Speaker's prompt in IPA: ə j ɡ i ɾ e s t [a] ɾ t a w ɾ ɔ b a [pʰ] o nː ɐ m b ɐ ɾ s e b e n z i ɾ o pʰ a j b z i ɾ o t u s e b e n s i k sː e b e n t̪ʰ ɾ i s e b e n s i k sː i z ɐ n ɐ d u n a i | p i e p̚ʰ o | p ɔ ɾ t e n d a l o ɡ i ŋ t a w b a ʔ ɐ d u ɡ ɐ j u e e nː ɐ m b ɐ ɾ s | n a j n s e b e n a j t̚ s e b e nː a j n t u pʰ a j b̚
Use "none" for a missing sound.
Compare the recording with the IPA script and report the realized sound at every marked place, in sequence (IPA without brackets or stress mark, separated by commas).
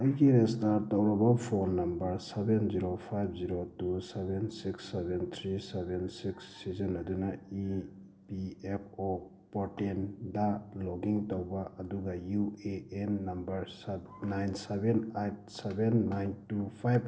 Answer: a, pʰ